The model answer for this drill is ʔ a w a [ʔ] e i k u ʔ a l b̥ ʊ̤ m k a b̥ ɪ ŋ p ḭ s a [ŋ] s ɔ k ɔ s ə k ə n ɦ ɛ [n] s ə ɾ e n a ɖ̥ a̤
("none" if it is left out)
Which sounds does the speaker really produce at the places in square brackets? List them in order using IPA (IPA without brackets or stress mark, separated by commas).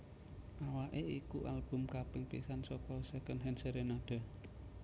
ʔ, n, n